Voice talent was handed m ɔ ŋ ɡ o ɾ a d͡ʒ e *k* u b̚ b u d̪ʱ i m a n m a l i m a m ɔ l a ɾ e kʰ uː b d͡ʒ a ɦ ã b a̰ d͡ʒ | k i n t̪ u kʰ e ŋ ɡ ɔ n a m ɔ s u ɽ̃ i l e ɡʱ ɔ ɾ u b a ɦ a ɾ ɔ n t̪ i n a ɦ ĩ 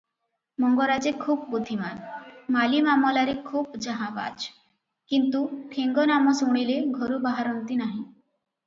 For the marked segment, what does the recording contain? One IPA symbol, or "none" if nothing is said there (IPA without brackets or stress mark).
kʰ